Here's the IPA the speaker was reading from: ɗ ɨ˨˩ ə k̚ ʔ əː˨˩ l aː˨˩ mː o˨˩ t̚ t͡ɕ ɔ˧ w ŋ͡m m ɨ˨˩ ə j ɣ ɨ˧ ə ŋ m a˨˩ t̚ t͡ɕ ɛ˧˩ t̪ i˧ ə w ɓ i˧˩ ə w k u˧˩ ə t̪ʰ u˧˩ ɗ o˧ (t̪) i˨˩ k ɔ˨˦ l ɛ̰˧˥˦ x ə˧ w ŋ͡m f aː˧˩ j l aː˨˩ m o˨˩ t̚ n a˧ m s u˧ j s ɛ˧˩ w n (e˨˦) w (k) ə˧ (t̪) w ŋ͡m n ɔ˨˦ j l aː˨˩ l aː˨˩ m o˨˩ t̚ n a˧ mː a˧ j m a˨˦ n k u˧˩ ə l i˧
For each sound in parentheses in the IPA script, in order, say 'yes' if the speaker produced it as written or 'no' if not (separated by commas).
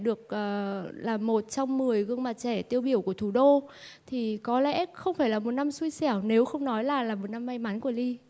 no, yes, no, no